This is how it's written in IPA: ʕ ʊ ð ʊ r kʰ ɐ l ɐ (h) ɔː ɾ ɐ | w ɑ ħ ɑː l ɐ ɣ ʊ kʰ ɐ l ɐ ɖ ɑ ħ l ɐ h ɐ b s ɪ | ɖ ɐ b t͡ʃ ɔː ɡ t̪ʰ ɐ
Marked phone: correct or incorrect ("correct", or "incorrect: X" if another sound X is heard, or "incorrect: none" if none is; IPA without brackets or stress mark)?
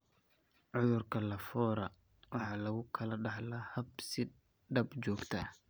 incorrect: f